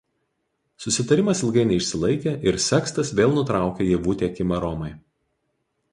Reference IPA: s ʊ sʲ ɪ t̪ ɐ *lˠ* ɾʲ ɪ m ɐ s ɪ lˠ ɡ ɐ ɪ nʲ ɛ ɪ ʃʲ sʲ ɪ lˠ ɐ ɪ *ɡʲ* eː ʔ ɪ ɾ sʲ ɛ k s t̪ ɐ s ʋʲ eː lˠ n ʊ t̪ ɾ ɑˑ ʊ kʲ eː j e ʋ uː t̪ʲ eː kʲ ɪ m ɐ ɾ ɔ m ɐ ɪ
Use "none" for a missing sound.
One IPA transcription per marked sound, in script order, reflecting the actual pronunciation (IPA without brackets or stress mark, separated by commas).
none, kʲ